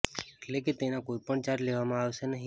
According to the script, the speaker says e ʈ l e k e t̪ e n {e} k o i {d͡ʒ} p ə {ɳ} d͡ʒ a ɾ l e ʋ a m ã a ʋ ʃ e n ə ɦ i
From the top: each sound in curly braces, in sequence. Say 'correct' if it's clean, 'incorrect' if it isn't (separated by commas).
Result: incorrect, incorrect, correct